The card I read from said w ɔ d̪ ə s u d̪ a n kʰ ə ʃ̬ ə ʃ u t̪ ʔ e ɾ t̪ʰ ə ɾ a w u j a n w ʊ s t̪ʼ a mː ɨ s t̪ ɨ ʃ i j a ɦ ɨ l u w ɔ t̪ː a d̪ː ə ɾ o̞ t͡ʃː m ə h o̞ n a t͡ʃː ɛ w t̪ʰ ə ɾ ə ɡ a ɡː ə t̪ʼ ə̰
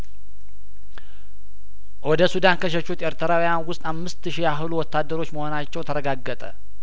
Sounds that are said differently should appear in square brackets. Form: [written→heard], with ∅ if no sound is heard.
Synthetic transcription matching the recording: w ɔ d̪ ə s u d̪ a n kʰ ə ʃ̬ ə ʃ u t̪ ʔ e ɾ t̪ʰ ə ɾ a w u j a n w ʊ s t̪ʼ a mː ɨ s t̪ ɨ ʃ i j a ɦ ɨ l u w ɔ t̪ː a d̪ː ə ɾ o̞ t͡ʃː m ə h o̞ n a t͡ʃː ɛ w t̪ʰ ə ɾ ə ɡ a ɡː ə t̪ʼ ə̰

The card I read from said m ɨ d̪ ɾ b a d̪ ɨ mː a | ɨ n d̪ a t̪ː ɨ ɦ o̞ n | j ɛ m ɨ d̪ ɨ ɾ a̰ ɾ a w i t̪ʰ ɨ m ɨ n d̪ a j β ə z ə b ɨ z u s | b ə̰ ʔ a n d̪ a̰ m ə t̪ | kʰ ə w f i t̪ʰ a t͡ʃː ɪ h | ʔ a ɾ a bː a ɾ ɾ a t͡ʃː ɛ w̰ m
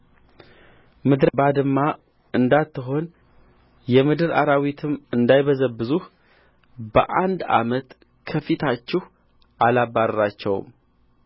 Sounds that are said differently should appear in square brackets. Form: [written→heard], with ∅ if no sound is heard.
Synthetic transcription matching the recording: m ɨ d̪ ɾ b a d̪ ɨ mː a | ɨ n d̪ a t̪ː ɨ ɦ o̞ n | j ɛ m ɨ d̪ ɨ ɾ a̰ ɾ a w i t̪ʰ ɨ m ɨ n d̪ a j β ə z ə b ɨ z u [s→h] | b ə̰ ʔ a n d̪ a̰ m ə t̪ | kʰ ə [w→∅] f i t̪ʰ a t͡ʃː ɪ h | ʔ a [ɾ→l] a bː a ɾ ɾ a t͡ʃː ɛ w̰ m

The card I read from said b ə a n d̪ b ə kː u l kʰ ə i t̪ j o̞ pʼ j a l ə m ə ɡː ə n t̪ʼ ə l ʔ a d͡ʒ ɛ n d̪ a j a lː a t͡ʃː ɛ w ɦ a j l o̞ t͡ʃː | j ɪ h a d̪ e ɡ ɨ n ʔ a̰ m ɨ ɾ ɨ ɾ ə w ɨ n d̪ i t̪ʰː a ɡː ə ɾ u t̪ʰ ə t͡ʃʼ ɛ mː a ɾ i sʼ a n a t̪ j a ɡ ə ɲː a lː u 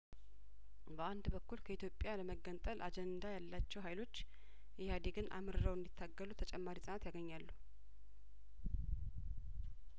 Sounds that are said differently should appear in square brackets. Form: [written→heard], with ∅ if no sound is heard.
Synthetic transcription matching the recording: b ə a n d̪ b ə kː u l kʰ ə i t̪ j o̞ pʼ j a l ə m ə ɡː ə n t̪ʼ ə l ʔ a d͡ʒ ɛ n d̪ a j a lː a t͡ʃː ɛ w ɦ a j l o̞ t͡ʃː | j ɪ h a d̪ e ɡ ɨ n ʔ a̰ m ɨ ɾ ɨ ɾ ə w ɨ n d̪ i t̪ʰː a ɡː ə [ɾ→l] u t̪ʰ ə t͡ʃʼ ɛ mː a ɾ i sʼ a n a t̪ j a ɡ ə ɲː a lː u

